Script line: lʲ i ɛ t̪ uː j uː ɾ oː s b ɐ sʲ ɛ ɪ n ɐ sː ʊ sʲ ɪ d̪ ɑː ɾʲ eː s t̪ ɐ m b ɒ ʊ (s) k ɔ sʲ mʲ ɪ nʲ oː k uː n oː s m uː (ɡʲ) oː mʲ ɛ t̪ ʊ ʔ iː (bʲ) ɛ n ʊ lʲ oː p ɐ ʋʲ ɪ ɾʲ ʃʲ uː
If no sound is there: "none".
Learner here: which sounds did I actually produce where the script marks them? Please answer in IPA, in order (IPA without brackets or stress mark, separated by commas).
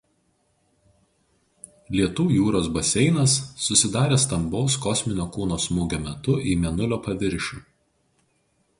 s, ɡʲ, mʲ